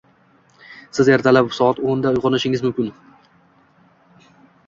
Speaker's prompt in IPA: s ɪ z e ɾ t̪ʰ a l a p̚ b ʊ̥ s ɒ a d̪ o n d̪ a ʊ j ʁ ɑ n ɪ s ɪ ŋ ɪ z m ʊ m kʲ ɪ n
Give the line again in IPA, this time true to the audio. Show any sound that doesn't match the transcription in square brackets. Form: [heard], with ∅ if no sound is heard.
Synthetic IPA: s ɪ z e ɾ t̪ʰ a l a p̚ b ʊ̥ s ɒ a [t̪] o n d̪ a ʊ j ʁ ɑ n ɪ [ʃ] ɪ ŋ ɪ z m ʊ m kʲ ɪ n